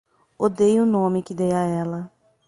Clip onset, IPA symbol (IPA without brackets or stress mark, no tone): o